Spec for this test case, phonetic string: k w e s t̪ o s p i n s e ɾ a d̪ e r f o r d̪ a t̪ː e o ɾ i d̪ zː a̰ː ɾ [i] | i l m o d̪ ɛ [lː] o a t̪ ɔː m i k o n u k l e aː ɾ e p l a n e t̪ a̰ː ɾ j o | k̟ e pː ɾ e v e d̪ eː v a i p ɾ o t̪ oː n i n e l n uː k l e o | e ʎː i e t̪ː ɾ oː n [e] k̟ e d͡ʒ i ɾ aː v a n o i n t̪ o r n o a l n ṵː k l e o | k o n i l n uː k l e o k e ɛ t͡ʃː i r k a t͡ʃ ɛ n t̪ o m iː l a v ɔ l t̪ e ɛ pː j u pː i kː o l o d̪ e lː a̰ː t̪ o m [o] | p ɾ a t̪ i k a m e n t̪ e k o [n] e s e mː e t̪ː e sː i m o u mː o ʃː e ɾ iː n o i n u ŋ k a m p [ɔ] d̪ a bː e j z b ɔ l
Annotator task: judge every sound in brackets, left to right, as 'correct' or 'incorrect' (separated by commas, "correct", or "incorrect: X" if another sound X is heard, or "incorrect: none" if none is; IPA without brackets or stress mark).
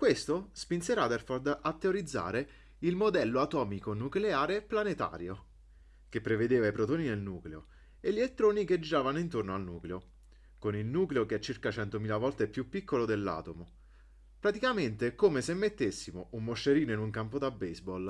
incorrect: e, correct, incorrect: i, correct, incorrect: m, incorrect: o